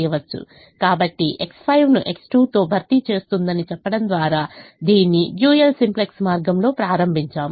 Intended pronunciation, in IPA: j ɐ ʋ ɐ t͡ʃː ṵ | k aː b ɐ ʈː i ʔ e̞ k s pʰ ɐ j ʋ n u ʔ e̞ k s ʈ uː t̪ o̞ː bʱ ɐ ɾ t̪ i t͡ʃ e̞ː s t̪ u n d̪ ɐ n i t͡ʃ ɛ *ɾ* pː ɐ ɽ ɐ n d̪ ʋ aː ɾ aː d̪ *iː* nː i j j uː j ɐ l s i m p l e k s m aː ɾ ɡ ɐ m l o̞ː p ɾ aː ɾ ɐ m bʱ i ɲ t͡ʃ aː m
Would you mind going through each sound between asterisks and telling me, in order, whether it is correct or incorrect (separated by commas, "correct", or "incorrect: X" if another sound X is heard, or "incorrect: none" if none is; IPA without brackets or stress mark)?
incorrect: none, correct